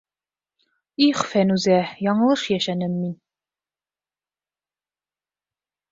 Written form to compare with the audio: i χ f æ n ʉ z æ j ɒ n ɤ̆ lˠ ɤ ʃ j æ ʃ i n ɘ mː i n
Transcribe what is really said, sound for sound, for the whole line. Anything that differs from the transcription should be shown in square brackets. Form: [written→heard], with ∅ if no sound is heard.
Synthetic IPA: i χ f æ n ʉ z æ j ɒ [n→ɴ] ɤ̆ lˠ ɤ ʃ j æ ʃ [i→æ] n ɘ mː i n